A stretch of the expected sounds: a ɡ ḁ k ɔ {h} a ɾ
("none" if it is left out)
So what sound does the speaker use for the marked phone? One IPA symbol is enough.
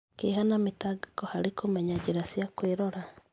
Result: h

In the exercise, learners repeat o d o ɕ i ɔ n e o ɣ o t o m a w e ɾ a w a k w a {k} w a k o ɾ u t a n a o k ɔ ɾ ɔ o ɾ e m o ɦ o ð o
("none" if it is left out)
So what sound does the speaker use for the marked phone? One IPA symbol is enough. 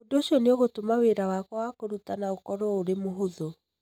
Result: none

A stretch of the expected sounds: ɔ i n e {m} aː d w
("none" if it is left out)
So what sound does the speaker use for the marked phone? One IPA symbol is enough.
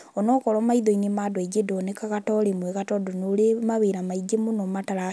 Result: m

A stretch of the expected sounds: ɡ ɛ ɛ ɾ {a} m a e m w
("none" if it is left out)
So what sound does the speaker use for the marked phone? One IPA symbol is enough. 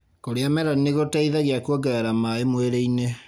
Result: a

